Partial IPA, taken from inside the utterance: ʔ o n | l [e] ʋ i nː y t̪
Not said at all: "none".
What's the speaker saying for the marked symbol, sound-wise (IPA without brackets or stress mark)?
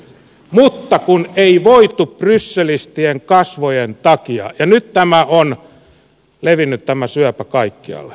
e